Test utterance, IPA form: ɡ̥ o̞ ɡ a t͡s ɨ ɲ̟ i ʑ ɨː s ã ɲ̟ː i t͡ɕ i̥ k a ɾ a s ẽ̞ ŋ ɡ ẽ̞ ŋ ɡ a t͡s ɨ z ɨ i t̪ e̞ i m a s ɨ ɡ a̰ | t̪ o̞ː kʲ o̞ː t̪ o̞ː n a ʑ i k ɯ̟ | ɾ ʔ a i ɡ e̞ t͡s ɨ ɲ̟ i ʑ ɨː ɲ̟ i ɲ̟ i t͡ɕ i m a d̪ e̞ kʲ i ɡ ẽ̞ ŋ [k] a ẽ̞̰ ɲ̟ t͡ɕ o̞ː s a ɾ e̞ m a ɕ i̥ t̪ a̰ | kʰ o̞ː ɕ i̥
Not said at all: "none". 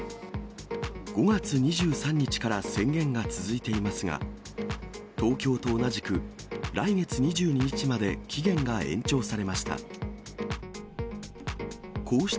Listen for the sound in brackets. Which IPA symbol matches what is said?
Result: ɡ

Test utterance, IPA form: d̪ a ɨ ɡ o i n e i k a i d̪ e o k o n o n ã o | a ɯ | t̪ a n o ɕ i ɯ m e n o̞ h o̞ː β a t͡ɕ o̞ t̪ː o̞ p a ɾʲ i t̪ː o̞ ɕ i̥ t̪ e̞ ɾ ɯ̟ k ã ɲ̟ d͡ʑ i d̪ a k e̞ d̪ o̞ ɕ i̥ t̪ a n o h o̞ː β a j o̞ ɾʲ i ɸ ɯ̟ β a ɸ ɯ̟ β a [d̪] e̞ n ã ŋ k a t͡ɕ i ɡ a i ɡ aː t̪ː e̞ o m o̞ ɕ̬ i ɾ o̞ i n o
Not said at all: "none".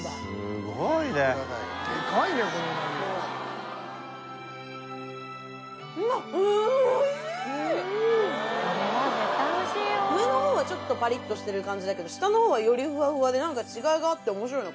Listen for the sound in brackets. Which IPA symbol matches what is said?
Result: d̪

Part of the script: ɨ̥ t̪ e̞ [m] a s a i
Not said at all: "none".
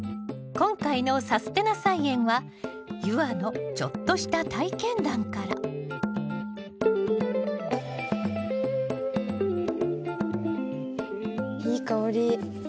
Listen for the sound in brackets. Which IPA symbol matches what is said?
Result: n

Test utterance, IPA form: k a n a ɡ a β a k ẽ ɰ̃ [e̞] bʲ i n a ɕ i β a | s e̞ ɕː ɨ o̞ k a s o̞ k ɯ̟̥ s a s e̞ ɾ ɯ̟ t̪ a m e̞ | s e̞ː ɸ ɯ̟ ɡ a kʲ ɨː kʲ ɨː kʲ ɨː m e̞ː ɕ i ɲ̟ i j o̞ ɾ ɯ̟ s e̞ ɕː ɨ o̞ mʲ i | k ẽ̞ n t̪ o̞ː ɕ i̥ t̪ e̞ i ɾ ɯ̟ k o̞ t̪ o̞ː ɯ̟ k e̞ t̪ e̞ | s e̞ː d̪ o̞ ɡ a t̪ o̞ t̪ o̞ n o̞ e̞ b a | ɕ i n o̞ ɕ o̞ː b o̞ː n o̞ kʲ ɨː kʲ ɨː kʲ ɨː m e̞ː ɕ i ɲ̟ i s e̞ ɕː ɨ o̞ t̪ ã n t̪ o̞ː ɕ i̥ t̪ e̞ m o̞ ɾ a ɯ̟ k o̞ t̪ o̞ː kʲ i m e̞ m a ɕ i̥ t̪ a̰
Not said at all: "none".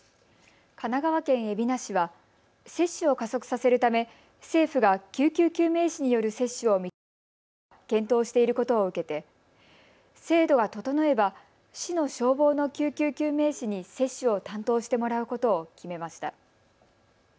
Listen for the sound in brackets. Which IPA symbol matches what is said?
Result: e̞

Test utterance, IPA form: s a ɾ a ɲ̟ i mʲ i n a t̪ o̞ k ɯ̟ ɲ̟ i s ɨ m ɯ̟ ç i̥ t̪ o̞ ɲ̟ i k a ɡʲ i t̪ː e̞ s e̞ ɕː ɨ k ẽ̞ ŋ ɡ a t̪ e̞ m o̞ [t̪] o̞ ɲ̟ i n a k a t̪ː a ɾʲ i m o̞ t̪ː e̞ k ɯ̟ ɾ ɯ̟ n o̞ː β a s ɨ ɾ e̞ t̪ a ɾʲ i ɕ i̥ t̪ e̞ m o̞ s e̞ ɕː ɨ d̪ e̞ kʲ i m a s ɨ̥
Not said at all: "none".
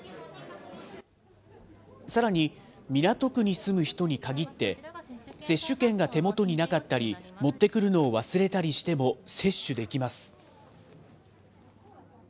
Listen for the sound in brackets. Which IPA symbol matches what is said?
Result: t̪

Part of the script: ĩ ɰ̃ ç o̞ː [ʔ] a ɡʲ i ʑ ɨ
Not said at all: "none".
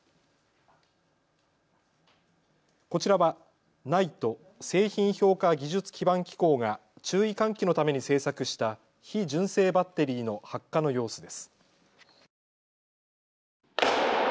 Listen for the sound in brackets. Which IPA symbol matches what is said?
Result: k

